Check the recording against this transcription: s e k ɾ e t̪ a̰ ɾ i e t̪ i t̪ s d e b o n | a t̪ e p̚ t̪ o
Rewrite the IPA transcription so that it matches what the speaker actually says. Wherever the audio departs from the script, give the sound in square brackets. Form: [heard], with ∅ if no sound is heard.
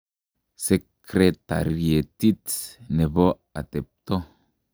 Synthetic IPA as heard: s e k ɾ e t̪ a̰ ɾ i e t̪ i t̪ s [n] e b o [∅] | a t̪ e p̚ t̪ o